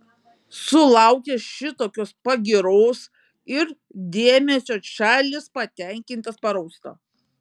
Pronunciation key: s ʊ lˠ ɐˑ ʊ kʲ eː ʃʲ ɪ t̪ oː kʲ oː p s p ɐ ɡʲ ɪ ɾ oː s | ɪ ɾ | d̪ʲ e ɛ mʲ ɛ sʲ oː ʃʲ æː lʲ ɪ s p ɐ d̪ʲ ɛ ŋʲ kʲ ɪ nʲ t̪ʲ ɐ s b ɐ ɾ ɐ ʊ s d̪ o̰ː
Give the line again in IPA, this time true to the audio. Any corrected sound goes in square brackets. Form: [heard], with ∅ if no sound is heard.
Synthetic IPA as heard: s ʊ lˠ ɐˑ ʊ kʲ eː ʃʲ ɪ t̪ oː kʲ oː [∅] s p ɐ ɡʲ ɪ ɾ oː s | ɪ ɾ | d̪ʲ e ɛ mʲ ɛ sʲ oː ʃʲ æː lʲ ɪ s p ɐ [t̪ʲ] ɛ ŋʲ kʲ ɪ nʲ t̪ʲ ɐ s [p] ɐ ɾ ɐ ʊ s [t̪] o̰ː